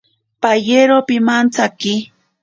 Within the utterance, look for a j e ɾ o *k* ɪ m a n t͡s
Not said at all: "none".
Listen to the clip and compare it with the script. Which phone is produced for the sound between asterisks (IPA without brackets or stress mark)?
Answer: p